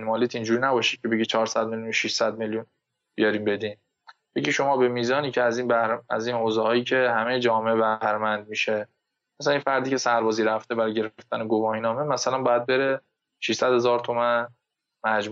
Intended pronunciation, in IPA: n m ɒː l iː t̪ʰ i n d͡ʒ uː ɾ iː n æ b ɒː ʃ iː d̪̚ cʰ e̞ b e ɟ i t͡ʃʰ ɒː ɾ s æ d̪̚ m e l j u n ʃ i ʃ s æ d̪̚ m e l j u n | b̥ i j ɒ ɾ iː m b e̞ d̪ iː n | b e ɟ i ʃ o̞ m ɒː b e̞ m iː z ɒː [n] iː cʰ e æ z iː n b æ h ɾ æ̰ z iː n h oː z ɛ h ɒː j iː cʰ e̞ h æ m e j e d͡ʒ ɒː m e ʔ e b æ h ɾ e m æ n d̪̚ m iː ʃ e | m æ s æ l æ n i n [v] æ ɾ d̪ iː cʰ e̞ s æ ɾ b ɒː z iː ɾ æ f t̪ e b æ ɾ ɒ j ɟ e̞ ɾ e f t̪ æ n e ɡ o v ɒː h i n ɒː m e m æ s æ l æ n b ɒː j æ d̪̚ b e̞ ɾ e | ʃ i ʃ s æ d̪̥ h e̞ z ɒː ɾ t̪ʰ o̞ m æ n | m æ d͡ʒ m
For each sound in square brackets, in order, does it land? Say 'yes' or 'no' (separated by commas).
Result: yes, no